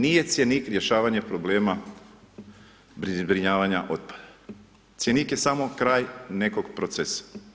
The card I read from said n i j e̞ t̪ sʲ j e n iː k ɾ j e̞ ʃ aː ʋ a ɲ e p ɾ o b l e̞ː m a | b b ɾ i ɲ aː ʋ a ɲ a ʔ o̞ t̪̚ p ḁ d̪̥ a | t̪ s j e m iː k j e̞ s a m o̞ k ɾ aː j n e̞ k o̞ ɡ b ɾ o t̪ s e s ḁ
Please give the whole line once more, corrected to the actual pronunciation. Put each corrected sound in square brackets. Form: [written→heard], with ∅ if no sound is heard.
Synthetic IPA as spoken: n i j e̞ t̪ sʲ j e n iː k ɾ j e̞ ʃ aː ʋ a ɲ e p ɾ o b l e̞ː m a | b b ɾ i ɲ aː ʋ a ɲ a ʔ o̞ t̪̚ p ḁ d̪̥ a | t̪ s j e [m→n] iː k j e̞ s a m o̞ k ɾ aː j n e̞ k o̞ ɡ [b→p] ɾ o t̪ s e s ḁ